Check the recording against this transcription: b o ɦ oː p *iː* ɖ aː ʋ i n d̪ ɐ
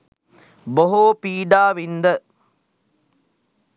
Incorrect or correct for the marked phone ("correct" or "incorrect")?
correct